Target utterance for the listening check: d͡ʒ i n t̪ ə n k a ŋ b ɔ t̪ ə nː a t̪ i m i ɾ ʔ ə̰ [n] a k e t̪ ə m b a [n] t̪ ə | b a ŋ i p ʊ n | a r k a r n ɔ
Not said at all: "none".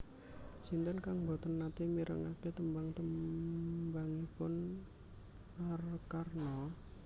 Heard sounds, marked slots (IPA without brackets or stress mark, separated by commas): ŋ, ŋ